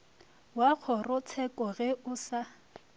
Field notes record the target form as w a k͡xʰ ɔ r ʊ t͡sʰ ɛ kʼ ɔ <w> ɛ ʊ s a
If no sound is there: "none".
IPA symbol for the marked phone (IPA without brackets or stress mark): ɣ